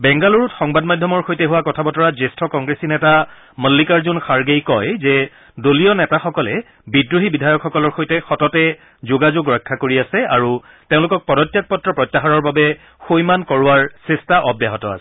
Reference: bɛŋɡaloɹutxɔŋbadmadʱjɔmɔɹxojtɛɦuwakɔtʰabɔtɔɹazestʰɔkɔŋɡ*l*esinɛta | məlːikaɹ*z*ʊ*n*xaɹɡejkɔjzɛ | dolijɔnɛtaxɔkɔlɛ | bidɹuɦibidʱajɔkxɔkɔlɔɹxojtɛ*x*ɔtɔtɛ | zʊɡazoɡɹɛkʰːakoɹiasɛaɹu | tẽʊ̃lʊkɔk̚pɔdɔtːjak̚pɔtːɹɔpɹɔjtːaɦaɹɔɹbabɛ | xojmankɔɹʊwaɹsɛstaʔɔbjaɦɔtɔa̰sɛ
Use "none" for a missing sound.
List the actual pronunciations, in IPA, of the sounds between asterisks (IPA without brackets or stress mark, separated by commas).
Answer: ɹ, z, n, x